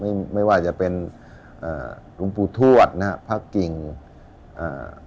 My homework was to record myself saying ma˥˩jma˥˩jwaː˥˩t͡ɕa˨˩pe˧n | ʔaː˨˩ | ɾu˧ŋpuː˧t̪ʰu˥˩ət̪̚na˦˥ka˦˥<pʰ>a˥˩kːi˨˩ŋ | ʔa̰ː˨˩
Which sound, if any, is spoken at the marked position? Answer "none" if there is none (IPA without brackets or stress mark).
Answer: pʰ